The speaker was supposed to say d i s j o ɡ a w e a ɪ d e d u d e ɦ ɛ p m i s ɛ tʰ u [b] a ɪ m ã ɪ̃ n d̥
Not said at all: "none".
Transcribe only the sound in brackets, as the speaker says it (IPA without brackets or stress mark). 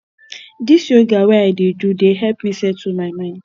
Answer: m